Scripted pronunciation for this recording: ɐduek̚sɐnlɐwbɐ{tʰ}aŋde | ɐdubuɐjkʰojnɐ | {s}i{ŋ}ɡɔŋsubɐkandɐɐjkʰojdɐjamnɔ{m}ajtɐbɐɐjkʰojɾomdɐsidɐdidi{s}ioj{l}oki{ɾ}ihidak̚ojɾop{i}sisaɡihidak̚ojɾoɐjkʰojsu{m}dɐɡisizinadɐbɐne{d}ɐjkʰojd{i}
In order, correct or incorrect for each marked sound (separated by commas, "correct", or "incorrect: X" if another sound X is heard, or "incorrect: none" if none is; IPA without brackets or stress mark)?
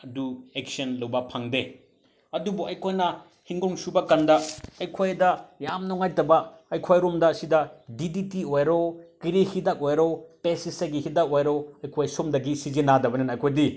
incorrect: pʰ, incorrect: h, correct, incorrect: ŋ, incorrect: t, incorrect: ɾ, correct, incorrect: e, correct, incorrect: n, correct